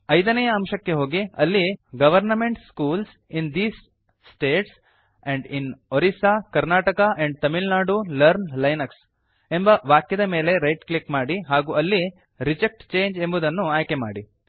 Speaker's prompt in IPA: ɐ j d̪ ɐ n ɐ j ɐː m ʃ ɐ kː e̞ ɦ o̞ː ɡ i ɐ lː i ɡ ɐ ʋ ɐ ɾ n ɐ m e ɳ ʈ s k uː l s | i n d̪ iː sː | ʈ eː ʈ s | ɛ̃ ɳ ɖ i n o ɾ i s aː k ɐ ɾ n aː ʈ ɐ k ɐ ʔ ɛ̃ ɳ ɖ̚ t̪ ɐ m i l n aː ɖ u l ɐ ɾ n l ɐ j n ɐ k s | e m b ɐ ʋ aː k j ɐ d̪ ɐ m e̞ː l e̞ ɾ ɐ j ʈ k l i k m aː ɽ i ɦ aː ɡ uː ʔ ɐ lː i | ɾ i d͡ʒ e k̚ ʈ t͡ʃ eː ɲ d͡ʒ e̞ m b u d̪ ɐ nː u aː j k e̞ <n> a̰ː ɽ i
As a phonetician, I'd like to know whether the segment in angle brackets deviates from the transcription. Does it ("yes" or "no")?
yes